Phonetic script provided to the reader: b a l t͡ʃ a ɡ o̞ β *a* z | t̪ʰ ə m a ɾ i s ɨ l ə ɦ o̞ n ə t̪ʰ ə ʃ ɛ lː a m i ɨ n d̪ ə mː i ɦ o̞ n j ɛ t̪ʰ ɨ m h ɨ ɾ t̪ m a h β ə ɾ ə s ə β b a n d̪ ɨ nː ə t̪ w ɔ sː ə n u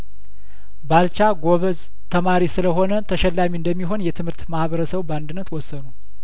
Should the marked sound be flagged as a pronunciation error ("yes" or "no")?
yes